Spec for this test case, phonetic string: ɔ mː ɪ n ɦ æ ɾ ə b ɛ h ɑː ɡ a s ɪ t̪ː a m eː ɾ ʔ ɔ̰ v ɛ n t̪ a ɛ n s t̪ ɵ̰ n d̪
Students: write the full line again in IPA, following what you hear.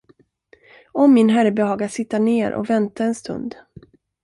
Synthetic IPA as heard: ɔ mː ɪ n ɦ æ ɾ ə b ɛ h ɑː ɡ a s ɪ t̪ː a ɳ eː ɾ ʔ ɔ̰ v ɛ n t̪ a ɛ n s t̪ ɵ̰ n d̪